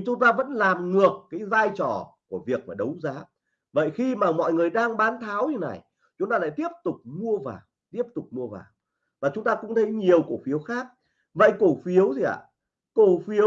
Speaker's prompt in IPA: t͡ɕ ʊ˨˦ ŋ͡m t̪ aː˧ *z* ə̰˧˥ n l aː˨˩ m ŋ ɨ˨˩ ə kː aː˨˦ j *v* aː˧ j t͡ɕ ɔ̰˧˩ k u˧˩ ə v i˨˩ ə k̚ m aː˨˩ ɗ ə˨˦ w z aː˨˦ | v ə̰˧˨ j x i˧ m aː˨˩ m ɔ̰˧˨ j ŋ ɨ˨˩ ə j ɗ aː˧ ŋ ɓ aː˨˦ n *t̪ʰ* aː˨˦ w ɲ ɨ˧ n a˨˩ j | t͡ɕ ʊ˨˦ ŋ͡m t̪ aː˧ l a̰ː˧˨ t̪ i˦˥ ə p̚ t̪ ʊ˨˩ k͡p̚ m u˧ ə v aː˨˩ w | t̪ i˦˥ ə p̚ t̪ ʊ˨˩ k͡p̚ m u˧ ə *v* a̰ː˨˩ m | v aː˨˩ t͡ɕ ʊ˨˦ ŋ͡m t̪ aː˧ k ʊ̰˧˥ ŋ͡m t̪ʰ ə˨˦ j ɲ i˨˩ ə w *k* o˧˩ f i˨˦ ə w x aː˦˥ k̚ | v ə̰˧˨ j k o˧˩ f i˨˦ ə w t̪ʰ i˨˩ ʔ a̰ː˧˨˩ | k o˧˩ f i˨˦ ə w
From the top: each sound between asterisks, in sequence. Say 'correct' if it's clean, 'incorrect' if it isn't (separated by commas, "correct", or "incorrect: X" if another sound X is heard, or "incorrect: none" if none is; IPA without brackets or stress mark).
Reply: incorrect: v, incorrect: z, correct, correct, correct